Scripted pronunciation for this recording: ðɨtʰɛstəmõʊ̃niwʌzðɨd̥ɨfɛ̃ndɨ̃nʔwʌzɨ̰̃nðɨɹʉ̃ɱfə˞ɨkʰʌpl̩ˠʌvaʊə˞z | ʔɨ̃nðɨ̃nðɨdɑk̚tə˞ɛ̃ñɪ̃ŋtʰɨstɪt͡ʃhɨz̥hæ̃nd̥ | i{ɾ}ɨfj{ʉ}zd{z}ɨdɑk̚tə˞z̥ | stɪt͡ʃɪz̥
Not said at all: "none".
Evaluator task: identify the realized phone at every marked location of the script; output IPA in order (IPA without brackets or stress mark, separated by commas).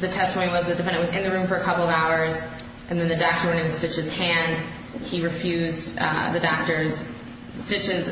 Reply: ɹ, ʉ, ð